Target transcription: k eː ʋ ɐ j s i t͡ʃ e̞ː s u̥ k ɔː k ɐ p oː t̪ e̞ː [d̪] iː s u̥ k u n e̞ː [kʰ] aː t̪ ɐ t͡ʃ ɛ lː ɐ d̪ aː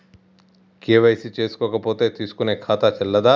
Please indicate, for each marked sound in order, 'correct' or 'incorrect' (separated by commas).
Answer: incorrect, correct